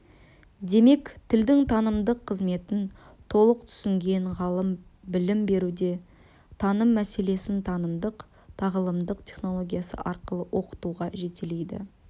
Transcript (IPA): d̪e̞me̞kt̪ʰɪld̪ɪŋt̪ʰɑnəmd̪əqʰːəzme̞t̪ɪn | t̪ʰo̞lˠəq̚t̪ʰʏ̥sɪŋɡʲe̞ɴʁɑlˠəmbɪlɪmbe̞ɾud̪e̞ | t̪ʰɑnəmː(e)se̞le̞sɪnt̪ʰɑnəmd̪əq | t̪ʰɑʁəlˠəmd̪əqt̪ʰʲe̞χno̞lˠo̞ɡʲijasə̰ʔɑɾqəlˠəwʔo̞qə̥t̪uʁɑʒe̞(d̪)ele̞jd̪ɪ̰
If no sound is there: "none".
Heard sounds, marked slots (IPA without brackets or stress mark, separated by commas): æ, t̪